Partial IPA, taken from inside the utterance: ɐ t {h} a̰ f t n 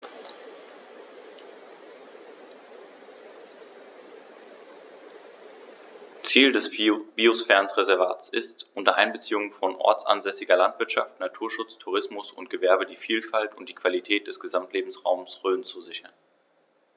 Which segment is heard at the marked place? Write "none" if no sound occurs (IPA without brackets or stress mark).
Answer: ʃ